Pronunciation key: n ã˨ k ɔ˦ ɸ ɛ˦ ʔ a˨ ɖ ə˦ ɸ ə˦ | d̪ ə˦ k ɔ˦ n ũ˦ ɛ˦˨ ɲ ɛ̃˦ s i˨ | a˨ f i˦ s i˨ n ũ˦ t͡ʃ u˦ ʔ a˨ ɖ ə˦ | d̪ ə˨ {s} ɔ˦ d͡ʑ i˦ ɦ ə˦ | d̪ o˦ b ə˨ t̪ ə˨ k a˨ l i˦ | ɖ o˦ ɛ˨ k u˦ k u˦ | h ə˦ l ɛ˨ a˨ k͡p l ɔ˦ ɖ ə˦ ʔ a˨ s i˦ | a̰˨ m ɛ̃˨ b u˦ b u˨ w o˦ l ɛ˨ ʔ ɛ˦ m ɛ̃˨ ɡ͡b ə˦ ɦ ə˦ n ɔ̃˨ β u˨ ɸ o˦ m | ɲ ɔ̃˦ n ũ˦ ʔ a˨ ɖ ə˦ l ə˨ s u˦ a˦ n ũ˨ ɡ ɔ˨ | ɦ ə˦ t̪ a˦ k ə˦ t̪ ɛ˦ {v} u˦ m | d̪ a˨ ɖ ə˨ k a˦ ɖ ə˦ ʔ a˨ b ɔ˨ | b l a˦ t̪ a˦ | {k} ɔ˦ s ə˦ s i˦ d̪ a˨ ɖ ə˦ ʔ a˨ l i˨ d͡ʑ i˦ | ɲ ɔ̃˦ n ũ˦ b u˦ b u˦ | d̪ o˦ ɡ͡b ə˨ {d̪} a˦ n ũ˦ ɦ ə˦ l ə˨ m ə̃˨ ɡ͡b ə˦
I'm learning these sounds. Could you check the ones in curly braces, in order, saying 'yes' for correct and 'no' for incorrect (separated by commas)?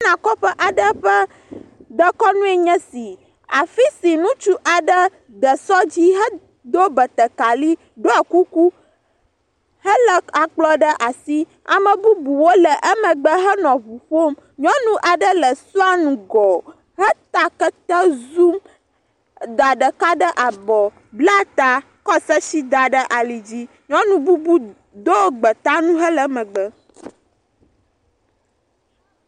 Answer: yes, no, yes, no